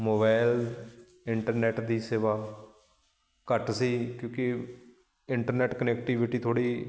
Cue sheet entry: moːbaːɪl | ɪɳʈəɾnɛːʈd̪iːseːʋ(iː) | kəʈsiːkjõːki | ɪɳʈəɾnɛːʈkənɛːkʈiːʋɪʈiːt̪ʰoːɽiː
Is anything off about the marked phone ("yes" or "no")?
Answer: yes